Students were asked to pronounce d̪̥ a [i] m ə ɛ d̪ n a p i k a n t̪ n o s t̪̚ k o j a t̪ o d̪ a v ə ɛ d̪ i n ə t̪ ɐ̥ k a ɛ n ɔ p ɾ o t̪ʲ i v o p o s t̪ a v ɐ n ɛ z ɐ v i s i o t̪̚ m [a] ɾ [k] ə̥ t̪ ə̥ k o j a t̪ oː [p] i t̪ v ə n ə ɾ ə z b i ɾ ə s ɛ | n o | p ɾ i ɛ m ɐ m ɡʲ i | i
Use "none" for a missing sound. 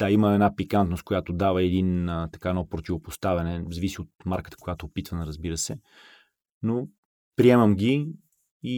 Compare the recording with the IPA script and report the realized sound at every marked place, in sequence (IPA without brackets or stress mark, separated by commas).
i, a, k, p